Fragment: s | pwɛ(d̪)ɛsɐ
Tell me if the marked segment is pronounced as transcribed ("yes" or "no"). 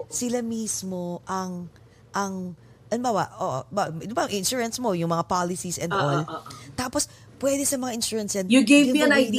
yes